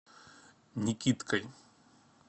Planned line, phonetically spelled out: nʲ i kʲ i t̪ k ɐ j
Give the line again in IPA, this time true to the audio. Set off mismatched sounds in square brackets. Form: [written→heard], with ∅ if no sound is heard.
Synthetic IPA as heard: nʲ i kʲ i t̪ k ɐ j